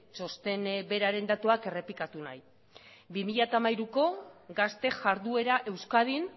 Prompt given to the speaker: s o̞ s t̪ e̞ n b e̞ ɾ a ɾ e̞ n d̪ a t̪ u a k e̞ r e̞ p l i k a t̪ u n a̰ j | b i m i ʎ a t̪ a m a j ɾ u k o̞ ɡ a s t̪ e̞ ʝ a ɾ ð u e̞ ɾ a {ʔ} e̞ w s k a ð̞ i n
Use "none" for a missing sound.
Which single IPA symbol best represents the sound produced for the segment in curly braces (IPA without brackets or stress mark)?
ʔ